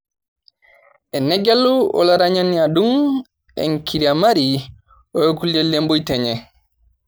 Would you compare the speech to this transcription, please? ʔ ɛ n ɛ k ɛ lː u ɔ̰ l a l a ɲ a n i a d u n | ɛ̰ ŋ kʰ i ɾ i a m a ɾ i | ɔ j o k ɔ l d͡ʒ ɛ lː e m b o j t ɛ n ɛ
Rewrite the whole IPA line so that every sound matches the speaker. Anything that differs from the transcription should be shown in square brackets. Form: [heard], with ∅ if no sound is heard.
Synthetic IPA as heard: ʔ ɛ n ɛ [ɡ] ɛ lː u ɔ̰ l a [ɾ] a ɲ a n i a d u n | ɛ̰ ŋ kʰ i ɾ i a m a ɾ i | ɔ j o k [u] l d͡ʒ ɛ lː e m b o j t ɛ [ɲ] ɛ